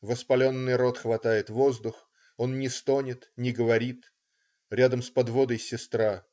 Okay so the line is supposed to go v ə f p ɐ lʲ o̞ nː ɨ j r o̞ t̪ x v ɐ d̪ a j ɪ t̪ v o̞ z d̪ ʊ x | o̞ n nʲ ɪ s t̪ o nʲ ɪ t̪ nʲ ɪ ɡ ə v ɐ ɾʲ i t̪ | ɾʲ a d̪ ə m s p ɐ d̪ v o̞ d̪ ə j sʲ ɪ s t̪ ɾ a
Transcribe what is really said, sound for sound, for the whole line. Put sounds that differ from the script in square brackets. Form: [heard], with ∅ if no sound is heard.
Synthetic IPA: v ə [s] p ɐ lʲ o̞ nː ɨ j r o̞ t̪ x v ɐ [t̪] a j ɪ t̪ v o̞ z d̪ ʊ x | o̞ n nʲ ɪ s t̪ o nʲ ɪ t̪ nʲ ɪ ɡ ə v ɐ ɾʲ i t̪ | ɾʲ a d̪ ə m s p ɐ d̪ v o̞ d̪ ə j sʲ ɪ s t̪ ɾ a

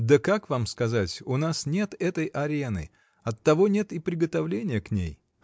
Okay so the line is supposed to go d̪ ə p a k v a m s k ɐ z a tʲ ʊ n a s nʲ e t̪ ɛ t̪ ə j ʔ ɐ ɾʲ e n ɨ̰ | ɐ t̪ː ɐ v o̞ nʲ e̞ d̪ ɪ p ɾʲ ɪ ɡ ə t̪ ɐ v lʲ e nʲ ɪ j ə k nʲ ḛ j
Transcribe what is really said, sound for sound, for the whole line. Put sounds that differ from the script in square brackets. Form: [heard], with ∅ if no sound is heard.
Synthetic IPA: d̪ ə [k] a k v a m s k ɐ z a tʲ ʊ n a s nʲ e t̪ ɛ t̪ ə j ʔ ɐ ɾʲ e n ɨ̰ | ɐ t̪ː ɐ v o̞ nʲ e̞ [t̪] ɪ p ɾʲ ɪ ɡ ə t̪ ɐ v lʲ e nʲ ɪ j ə k nʲ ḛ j

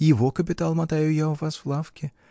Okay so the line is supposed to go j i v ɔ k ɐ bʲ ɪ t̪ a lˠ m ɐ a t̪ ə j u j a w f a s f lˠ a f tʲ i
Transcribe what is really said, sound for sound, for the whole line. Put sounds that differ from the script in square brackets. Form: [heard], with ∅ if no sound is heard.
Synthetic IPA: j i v ɔ k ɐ [pʲ] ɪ t̪ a lˠ m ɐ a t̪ [a] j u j a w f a s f lˠ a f [kʲ] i

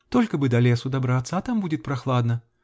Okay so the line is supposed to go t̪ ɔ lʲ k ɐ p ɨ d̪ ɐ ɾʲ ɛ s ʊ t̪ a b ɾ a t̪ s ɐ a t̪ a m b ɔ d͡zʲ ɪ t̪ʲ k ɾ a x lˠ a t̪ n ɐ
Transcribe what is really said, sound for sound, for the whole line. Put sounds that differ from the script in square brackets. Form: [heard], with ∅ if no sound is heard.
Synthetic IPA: t̪ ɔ lʲ k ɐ [b] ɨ d̪ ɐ [lʲ] ɛ s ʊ [d̪] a b ɾ a t̪ s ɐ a t̪ a m b [u] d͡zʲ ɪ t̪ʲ [p] ɾ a x lˠ a [d̪] n ɐ

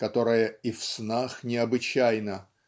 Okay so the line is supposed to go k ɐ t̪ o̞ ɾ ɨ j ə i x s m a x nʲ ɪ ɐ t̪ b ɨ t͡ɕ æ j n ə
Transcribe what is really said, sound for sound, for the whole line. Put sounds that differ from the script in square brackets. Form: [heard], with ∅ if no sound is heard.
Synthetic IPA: k ɐ t̪ o̞ ɾ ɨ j ə i [f] s [n] a x nʲ ɪ ɐ [∅] b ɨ t͡ɕ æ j n ə

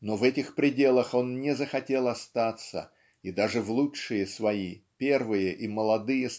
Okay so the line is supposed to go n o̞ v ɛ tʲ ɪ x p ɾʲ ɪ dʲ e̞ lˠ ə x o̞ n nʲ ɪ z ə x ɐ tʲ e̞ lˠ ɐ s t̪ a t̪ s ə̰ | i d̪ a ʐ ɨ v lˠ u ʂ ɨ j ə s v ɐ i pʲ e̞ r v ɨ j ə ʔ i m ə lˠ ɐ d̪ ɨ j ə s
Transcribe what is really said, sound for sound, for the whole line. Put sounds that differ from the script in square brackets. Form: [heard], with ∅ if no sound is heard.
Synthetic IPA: n o̞ v ɛ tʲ ɪ x p ɾʲ ɪ dʲ e̞ lˠ ə x o̞ n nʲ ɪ z ə x ɐ tʲ e̞ lˠ ɐ s t̪ a t̪ s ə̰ | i d̪ a ʐ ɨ v lˠ u ʂ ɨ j ə s v ɐ i pʲ e̞ r v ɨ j ə ʔ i m ə lˠ ɐ d̪ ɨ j ə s

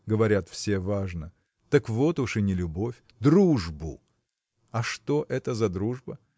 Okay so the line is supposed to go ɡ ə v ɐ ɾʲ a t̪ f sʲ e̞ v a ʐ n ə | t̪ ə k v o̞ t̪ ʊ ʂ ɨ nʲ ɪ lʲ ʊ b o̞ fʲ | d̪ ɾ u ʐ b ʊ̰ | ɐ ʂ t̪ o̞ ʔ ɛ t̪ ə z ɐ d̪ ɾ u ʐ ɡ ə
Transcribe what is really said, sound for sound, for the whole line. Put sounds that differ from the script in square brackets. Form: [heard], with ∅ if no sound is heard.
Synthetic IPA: ɡ ə v ɐ ɾʲ a t̪ f sʲ e̞ v a ʐ n ə | t̪ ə k v o̞ t̪ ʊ ʂ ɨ nʲ ɪ lʲ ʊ b o̞ fʲ | d̪ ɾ u ʐ b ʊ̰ | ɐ ʂ t̪ o̞ ʔ ɛ t̪ ə z ɐ d̪ ɾ u ʐ [b] ə

